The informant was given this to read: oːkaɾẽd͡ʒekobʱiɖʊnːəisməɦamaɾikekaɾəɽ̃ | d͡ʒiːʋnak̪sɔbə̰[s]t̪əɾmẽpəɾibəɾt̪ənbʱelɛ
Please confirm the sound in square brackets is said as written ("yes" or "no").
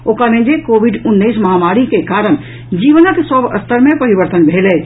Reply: yes